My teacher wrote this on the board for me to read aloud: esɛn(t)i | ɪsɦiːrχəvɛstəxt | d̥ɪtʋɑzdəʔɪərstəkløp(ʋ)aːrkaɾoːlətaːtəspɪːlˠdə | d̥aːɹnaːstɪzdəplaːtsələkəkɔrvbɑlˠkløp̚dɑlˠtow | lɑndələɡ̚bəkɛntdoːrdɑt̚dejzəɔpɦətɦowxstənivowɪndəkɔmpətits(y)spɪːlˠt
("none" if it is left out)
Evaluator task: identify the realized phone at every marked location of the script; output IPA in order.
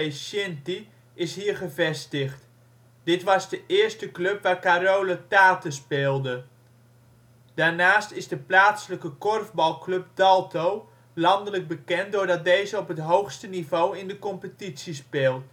t, ʋ, i

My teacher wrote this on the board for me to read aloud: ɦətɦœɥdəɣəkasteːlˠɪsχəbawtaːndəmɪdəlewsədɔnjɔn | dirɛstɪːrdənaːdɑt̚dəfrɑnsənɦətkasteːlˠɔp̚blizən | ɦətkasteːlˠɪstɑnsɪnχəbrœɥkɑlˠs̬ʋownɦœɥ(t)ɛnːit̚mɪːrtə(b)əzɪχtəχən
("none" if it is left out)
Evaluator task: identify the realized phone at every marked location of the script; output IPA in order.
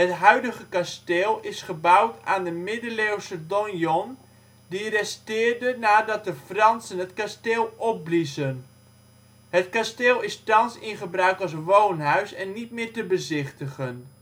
s, b

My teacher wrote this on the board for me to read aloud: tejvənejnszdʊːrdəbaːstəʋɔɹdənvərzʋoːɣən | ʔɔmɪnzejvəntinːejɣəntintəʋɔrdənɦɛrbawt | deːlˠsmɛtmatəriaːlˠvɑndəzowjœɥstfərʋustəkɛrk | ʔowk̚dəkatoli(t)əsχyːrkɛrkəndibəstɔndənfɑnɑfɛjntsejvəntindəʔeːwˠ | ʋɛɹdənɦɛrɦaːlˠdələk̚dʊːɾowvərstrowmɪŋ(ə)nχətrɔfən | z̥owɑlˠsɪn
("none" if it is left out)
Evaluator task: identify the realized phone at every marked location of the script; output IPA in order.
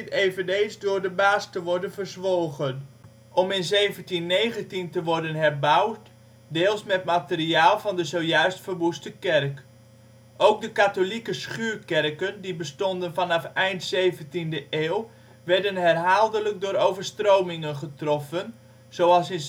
k, ə

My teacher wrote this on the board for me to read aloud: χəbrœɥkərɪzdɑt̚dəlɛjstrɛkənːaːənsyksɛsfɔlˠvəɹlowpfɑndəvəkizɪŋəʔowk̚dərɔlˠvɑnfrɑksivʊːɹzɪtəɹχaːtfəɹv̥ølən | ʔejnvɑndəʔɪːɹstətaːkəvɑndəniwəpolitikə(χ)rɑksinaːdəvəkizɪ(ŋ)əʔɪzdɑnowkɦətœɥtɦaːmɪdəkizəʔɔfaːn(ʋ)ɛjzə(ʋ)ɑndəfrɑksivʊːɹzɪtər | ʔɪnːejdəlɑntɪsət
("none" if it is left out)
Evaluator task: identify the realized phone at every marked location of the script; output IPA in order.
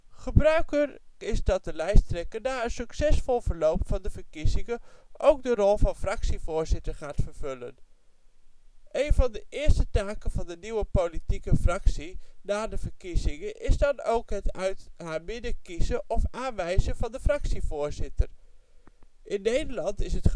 f, ŋ, ʋ, v

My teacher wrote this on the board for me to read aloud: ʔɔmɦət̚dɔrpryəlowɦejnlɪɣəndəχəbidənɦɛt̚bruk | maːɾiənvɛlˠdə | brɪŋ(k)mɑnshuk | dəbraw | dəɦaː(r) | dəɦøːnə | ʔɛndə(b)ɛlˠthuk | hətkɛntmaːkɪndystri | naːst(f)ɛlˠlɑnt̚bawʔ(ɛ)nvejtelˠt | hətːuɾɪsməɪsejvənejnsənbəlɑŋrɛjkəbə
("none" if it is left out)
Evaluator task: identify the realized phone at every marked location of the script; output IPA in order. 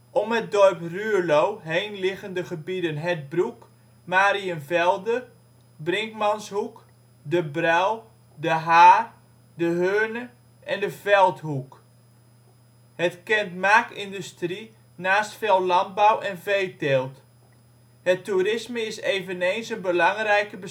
k, r, v, f, ɛ

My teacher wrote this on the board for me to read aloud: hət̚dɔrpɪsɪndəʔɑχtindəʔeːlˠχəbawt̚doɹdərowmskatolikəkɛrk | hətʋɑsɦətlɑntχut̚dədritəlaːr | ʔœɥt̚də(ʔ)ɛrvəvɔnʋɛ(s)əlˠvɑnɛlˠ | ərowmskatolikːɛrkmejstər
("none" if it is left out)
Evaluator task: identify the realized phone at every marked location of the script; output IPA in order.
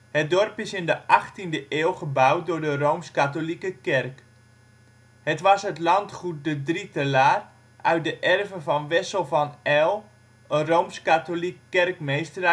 ʔ, s

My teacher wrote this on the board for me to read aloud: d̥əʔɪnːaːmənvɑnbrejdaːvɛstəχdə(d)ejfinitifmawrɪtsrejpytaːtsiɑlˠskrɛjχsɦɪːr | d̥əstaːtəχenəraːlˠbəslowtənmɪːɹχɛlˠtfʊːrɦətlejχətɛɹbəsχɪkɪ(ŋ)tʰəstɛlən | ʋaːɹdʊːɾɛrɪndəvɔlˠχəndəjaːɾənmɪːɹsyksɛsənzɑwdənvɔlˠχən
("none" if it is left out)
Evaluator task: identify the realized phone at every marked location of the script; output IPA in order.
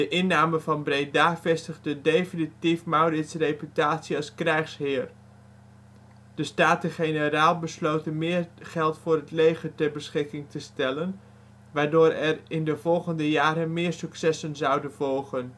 d, ŋ

